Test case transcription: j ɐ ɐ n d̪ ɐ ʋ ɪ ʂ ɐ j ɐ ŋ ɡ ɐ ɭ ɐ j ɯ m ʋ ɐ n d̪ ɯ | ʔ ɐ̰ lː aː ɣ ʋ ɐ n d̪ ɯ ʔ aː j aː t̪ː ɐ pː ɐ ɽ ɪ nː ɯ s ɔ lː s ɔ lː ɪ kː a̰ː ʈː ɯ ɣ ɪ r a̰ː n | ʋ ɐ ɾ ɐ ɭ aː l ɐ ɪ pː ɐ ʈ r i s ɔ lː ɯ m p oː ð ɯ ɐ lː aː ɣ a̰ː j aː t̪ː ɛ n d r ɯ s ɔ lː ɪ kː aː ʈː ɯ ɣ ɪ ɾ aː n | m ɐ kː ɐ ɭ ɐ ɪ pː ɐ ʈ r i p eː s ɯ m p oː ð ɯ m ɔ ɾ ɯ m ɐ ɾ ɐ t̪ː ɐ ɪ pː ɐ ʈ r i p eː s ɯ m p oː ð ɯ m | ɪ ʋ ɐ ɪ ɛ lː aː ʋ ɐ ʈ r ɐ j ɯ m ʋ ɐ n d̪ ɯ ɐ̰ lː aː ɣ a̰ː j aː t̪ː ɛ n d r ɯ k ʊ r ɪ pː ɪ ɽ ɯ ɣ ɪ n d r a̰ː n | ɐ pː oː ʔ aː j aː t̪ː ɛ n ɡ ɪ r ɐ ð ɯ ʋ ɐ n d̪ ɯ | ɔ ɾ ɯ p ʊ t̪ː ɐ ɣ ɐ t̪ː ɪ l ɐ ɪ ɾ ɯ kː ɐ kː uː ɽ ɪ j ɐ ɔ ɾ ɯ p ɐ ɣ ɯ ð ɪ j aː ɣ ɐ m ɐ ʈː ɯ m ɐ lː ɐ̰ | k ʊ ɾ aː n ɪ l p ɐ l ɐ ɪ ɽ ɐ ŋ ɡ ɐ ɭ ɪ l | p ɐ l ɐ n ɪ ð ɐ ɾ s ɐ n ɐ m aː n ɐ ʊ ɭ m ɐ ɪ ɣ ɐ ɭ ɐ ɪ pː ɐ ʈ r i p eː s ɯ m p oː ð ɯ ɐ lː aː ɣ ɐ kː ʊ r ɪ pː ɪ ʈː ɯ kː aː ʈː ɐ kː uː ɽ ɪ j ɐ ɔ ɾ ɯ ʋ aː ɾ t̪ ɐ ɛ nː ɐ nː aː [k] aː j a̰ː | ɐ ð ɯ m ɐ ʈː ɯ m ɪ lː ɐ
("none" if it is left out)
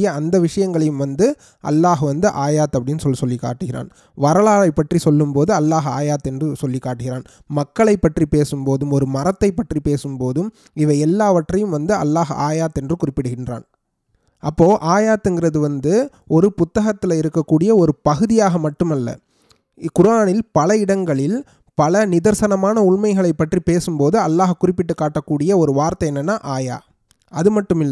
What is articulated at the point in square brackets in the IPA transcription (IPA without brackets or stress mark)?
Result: ʔ